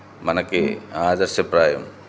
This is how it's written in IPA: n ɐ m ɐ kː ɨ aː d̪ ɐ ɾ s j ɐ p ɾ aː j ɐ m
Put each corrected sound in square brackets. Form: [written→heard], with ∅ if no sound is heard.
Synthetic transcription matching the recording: [n→m] ɐ [m→n] ɐ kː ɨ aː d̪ ɐ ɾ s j ɐ p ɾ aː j ɐ m